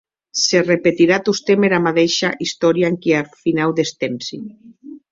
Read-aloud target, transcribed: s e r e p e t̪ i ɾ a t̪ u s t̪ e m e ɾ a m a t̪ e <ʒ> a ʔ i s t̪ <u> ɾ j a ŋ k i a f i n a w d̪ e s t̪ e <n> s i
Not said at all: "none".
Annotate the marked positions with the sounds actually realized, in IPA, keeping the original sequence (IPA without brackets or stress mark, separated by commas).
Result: ʃ, ɔ, m